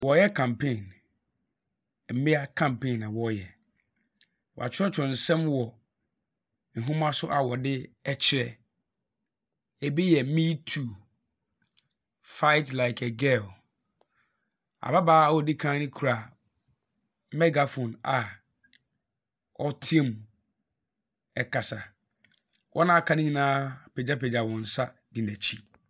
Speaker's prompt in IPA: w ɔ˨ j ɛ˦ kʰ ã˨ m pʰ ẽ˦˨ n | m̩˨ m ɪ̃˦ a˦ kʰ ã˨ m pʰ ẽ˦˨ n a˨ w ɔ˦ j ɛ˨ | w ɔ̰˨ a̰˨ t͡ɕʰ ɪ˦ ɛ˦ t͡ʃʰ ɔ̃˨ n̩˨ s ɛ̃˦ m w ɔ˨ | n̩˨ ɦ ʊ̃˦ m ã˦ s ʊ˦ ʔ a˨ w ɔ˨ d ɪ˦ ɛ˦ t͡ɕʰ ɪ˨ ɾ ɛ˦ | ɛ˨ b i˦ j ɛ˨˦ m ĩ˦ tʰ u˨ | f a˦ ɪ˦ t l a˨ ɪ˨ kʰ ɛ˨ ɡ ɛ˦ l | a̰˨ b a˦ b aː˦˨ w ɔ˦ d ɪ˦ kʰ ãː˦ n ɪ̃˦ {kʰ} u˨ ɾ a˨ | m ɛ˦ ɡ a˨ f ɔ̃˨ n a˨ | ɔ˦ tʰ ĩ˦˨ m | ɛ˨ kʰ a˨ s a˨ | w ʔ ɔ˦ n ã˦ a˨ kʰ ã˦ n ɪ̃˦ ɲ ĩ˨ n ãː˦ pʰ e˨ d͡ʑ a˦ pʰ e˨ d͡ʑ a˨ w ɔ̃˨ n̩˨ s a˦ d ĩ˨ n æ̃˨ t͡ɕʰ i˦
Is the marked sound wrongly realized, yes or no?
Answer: no